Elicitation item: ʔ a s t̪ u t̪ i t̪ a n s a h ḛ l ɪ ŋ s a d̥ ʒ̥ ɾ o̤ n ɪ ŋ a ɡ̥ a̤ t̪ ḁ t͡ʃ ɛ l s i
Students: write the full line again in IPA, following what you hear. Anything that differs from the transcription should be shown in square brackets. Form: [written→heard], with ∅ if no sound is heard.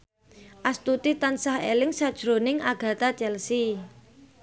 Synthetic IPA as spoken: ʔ a s t̪ u t̪ i t̪ a n s a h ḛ l ɪ ŋ s a d̥ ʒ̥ ɾ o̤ n ɪ ŋ a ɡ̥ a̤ t̪ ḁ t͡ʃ ɛ l s i